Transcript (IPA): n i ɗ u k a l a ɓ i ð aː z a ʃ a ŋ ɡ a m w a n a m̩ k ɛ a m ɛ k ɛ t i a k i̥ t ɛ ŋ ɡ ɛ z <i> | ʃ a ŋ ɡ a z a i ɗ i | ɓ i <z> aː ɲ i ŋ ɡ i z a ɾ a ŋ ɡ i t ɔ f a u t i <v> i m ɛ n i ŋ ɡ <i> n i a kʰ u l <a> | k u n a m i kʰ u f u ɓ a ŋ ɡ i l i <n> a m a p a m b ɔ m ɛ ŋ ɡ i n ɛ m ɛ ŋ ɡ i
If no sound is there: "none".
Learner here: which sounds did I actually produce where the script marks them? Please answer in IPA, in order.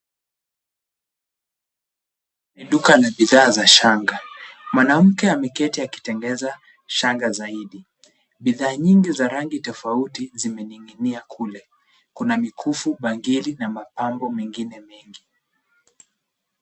a, ð, z, i, ɛ, n

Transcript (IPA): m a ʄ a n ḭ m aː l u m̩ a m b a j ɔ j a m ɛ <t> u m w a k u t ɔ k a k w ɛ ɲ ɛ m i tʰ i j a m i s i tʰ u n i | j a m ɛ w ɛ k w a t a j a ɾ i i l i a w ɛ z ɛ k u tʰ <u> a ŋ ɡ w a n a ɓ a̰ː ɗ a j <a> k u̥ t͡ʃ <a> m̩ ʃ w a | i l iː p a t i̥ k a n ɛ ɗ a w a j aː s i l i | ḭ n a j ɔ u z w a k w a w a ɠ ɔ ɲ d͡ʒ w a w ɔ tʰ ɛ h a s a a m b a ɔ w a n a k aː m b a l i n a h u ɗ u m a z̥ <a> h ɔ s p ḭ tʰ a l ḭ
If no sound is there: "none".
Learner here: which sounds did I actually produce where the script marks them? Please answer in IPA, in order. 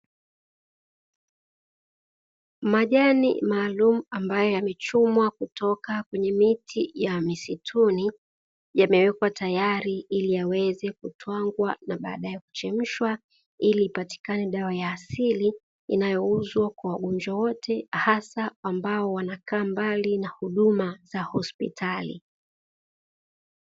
t͡ʃ, w, ɛ, ɛ, a

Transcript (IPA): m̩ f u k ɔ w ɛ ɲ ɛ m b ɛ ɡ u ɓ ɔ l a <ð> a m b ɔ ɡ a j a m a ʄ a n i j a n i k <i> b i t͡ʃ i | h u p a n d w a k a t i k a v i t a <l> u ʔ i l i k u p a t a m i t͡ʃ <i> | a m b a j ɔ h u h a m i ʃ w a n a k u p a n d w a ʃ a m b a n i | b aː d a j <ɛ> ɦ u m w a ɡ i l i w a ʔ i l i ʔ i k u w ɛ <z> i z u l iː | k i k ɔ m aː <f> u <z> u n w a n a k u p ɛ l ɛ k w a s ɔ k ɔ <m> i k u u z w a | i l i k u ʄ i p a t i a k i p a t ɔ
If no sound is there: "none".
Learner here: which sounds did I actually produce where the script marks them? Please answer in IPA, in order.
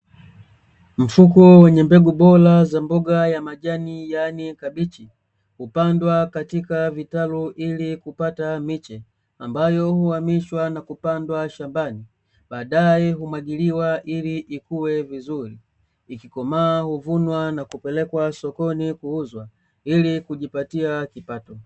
z, a, l, ɛ, ɛ, v, h, v, n

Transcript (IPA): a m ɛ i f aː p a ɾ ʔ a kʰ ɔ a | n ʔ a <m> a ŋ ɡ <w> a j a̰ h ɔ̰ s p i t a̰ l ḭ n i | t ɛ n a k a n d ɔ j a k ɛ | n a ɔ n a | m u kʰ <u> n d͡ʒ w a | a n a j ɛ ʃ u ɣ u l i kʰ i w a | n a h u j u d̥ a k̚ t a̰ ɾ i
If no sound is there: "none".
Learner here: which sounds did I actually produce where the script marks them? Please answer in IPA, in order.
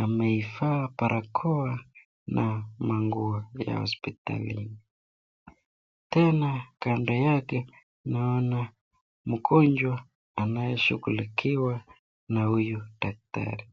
m, u, ɔ

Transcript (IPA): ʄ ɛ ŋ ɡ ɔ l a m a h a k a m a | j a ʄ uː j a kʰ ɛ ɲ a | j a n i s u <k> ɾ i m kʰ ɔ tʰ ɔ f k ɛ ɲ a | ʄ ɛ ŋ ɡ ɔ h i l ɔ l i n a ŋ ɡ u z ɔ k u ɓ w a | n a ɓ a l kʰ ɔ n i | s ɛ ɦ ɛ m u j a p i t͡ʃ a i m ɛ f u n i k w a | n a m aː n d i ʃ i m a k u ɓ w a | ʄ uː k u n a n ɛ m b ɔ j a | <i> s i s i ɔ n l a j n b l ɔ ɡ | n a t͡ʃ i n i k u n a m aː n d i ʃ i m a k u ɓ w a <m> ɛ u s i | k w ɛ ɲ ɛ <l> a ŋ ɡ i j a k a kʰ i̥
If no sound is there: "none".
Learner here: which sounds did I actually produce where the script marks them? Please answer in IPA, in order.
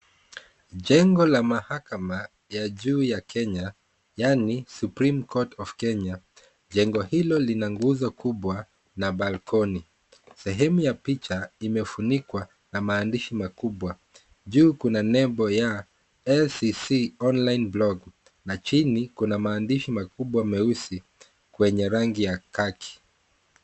p, ɛ, m, ɾ

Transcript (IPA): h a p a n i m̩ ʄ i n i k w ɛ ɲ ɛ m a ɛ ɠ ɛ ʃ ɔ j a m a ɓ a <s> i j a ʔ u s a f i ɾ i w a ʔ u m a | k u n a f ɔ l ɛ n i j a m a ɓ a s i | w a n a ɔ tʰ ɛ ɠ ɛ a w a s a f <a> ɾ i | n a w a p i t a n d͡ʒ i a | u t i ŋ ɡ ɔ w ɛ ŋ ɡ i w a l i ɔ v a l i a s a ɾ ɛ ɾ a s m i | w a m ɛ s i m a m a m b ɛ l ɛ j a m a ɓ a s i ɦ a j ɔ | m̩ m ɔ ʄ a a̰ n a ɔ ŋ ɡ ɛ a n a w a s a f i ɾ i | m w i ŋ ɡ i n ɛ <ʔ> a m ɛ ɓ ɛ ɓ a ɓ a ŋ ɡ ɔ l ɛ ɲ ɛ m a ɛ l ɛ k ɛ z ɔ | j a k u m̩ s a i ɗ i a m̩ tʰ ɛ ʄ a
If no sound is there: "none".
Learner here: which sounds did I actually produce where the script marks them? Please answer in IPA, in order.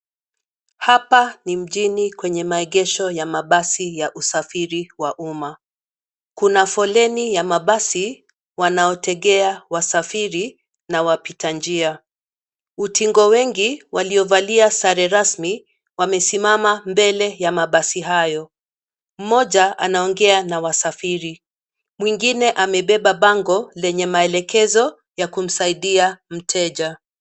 s, i, ʔ

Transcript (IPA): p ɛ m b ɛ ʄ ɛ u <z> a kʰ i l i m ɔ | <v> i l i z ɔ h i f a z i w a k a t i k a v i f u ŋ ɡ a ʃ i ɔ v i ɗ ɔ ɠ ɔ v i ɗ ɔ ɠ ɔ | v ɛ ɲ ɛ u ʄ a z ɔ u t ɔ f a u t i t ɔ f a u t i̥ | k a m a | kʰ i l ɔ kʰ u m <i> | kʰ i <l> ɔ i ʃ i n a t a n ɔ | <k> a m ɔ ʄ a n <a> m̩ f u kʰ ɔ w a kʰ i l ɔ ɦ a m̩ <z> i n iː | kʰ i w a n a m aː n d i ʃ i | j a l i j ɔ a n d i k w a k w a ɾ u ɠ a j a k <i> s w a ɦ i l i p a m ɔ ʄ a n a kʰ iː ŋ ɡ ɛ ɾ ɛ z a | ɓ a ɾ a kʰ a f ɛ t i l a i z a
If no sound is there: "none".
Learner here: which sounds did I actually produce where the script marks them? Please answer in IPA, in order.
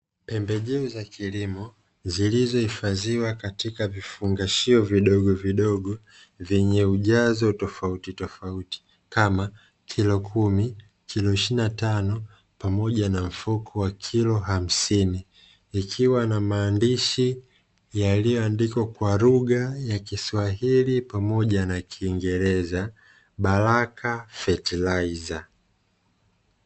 z, z, i, l, p, a, s, i

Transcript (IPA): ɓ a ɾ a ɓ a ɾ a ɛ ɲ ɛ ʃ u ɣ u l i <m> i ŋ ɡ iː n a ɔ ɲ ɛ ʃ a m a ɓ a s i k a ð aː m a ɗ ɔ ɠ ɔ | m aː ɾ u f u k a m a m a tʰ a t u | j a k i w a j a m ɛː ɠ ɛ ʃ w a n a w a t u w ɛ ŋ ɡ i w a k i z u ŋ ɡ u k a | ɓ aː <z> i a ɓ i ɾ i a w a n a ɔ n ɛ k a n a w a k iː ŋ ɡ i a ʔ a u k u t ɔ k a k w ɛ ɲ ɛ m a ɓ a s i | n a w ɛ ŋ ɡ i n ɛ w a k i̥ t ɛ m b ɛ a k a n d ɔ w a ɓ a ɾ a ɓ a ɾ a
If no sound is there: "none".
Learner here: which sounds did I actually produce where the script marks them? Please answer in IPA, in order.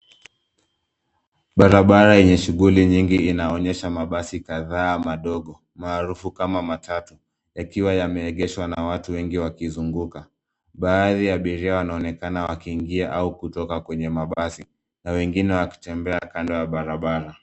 ɲ, ð

